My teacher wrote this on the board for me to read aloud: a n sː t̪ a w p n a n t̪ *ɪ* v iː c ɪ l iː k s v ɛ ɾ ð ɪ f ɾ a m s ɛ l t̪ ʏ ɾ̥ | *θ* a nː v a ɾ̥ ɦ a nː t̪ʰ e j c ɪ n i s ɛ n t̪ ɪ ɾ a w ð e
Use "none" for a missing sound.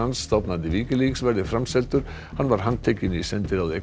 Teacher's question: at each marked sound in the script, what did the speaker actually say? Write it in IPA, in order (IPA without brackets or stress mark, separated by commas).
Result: ɪ, h